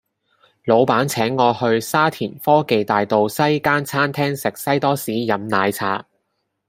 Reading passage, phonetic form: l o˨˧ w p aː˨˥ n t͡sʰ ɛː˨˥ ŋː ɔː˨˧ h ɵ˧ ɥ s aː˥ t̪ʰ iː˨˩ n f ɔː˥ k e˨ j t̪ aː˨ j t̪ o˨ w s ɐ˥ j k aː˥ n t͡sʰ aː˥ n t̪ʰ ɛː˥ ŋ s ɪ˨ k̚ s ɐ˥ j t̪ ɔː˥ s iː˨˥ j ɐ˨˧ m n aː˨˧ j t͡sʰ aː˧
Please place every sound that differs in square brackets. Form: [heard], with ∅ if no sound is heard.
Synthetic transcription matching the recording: l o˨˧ w p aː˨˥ n t͡sʰ ɛː˨˥ ŋː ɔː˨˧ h ɵ˧ ɥ s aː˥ t̪ʰ iː˨˩ n f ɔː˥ k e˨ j t̪ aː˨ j t̪ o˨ w s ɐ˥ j k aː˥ n t͡sʰ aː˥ n t̪ʰ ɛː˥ ŋ s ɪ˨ k̚ s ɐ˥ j t̪ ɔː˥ s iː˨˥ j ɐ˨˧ m n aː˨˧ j t͡sʰ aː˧